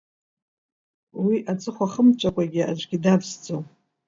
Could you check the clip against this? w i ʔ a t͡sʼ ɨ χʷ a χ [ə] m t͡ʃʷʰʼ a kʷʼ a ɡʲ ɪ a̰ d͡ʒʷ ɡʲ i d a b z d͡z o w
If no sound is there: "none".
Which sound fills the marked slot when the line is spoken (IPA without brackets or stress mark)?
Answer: ə